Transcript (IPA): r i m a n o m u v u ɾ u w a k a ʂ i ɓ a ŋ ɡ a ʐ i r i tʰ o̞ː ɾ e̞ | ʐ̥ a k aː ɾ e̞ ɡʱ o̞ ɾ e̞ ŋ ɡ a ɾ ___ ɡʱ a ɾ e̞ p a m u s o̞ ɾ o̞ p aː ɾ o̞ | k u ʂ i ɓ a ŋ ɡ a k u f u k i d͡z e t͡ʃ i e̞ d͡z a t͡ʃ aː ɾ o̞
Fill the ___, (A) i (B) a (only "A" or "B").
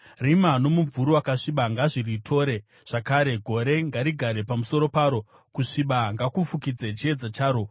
A